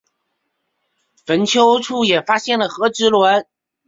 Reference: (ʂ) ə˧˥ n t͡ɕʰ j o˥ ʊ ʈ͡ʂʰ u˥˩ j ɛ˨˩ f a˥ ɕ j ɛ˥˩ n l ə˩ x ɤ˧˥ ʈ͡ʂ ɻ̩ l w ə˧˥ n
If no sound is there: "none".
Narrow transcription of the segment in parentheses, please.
f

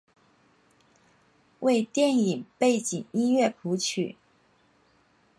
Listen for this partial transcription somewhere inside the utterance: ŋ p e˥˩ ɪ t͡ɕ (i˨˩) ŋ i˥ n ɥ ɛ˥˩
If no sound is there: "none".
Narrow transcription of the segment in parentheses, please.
i˨˩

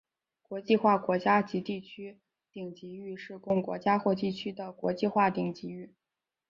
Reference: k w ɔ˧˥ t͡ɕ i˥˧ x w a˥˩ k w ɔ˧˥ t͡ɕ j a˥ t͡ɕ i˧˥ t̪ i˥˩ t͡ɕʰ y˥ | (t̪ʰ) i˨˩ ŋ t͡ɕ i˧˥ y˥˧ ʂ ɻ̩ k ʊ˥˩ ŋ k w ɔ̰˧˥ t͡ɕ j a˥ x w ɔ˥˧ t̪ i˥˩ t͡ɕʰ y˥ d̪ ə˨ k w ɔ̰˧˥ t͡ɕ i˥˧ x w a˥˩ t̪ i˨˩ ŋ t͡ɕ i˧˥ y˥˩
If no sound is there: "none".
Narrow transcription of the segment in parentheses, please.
t̪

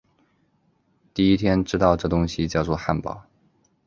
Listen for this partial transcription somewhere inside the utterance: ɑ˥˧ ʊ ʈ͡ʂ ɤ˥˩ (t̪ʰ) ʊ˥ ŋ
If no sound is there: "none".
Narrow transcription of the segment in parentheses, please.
t̪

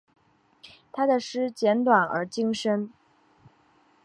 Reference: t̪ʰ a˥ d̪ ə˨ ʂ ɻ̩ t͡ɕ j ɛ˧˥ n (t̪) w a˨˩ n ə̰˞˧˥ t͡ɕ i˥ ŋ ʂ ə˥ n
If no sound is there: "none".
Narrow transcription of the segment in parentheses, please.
t̪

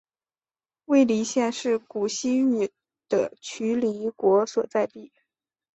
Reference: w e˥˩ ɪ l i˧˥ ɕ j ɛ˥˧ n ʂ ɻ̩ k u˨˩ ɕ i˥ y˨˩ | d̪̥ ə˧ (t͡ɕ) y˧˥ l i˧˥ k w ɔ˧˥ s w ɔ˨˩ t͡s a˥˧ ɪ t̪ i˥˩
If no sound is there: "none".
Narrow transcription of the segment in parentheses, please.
t͡ɕʰ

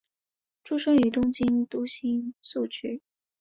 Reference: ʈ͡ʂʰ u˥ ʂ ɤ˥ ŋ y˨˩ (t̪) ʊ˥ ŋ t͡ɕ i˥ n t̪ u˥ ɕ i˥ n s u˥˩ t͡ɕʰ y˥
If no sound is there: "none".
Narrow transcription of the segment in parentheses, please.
t̪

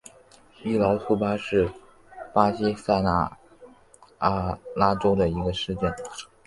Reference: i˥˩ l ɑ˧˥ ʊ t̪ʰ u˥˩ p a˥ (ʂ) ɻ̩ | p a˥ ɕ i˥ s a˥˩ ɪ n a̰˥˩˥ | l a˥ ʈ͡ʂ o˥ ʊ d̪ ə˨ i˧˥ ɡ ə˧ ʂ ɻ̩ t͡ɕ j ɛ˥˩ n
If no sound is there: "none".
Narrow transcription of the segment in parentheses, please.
ʂ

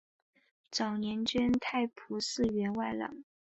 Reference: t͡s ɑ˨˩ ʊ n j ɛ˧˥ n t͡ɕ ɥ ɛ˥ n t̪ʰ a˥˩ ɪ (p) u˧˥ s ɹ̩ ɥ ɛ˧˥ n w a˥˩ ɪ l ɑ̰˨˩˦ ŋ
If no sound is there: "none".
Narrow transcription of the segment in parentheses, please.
pʰ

